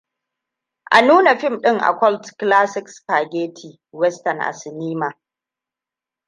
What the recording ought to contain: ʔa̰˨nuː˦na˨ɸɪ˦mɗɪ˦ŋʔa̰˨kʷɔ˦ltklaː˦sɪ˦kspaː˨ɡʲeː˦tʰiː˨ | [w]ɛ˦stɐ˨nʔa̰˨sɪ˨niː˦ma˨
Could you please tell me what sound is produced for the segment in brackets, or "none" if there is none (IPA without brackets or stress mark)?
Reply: w